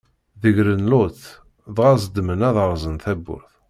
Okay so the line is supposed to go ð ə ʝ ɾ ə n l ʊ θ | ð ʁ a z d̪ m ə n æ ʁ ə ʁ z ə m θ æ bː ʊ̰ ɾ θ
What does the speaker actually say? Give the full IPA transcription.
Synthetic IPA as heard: ð ə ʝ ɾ ə n l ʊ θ | ð ʁ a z d̪ m ə n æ ð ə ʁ z ə n θ æ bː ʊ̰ ɾ θ